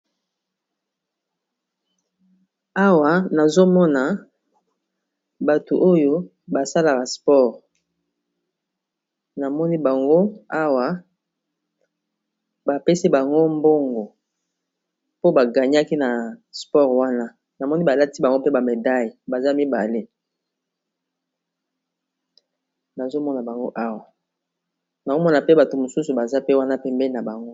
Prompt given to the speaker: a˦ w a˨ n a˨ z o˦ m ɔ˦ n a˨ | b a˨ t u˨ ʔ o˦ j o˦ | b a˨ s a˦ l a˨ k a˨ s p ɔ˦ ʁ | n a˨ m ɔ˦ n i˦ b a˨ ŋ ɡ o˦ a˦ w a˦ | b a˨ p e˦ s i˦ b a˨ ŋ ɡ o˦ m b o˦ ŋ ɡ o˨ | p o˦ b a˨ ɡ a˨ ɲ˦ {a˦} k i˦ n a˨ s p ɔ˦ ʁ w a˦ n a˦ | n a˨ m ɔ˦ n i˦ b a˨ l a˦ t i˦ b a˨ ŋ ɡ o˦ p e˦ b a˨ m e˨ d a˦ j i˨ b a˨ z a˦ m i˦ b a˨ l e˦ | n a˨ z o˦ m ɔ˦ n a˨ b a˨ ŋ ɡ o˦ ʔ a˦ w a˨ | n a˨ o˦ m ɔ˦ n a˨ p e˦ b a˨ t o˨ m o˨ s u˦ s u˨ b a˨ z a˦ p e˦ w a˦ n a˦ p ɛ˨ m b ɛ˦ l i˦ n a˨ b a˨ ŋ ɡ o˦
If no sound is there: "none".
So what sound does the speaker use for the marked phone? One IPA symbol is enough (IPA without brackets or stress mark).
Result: a˦